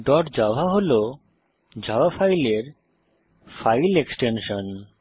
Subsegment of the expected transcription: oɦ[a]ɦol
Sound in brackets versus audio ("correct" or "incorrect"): correct